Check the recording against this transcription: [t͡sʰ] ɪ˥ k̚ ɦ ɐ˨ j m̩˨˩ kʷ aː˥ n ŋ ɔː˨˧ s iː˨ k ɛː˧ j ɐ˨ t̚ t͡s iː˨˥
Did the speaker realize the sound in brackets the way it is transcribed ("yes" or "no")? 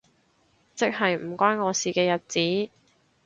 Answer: no